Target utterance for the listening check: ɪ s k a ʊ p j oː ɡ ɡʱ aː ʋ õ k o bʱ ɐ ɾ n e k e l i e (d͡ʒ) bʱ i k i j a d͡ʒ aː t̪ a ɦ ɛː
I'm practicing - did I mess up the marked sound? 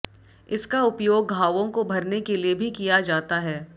yes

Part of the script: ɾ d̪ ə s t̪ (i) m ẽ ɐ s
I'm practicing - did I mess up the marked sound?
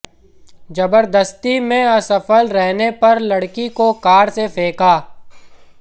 no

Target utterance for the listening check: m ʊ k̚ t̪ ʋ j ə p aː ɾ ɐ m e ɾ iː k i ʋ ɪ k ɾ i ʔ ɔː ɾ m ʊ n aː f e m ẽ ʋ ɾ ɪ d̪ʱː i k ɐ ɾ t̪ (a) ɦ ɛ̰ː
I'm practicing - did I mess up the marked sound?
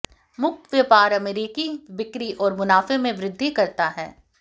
no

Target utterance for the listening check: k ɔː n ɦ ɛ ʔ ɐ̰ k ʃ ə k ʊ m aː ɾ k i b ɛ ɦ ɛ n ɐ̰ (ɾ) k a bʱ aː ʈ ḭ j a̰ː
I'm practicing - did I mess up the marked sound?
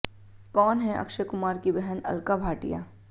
yes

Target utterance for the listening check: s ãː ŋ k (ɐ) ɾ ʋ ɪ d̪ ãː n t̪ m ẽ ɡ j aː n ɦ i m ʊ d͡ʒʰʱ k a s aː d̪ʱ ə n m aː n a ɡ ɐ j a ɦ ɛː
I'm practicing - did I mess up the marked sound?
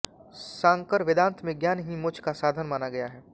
yes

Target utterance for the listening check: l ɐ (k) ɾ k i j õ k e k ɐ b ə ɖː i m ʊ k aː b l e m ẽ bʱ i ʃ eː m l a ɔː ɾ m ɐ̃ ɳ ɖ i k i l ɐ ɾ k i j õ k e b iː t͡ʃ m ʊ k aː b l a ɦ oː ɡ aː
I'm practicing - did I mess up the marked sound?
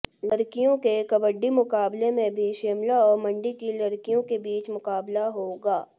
yes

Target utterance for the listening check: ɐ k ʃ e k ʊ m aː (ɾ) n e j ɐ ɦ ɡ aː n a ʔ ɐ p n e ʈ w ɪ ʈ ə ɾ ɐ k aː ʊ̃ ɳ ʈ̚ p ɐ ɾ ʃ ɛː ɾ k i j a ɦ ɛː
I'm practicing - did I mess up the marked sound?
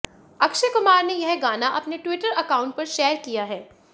no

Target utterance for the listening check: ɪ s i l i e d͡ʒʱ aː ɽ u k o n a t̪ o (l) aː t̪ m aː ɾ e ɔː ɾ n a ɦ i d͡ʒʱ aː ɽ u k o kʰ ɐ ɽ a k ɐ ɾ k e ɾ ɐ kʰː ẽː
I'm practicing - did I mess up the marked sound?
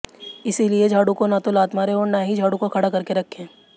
no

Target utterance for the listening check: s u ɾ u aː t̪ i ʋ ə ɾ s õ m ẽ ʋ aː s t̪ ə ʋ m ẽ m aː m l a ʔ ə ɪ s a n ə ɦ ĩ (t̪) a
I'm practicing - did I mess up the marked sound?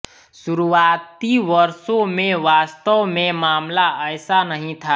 yes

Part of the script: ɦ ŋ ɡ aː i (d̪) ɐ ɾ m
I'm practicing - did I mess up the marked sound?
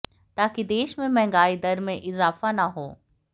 no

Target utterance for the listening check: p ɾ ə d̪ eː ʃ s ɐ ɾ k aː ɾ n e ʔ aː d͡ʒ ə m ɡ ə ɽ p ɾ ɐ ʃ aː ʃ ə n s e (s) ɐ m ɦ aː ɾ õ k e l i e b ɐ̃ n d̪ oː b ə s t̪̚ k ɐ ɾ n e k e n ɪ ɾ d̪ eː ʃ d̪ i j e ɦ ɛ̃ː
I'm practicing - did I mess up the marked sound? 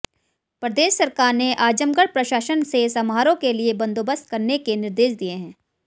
no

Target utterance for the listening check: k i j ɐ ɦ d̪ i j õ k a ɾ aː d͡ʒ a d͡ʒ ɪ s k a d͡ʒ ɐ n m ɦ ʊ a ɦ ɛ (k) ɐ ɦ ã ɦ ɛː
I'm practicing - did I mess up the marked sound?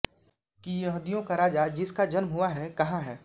no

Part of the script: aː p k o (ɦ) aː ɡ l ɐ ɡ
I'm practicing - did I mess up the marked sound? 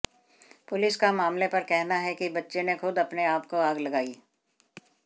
yes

